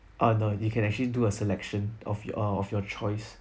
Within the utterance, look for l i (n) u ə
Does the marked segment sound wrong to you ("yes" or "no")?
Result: yes